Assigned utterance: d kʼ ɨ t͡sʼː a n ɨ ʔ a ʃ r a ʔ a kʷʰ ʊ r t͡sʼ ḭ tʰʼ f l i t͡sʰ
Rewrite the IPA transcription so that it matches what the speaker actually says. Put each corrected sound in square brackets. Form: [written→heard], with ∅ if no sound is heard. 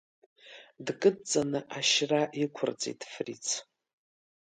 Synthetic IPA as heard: d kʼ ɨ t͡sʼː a n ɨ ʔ a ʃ r a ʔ [a→i] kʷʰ ʊ r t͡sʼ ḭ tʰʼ f [l→r] i t͡sʰ